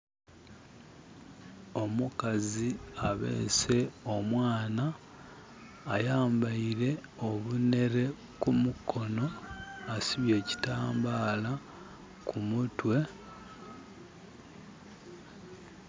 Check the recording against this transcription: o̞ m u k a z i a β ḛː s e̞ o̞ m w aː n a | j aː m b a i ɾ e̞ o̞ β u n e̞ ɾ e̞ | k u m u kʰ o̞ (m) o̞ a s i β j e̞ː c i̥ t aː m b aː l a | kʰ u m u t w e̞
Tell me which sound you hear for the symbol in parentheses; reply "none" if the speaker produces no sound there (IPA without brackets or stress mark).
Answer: n